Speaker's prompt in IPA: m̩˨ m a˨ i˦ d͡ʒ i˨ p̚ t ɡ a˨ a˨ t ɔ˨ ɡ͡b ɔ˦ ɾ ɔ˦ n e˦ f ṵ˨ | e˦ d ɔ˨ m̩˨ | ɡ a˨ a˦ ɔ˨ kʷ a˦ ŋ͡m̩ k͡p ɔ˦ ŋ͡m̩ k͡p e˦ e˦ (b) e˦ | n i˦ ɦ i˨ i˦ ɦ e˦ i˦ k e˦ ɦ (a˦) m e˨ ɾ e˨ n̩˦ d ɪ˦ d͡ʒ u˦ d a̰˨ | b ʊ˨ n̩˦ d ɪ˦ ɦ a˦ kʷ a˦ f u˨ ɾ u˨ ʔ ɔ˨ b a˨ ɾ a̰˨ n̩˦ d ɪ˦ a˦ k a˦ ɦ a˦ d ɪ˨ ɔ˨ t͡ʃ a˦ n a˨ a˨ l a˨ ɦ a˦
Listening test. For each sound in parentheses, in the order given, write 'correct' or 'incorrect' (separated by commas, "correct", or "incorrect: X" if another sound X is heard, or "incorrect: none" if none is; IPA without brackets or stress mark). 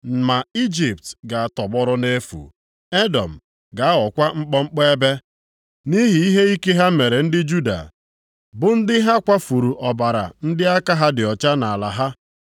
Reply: correct, correct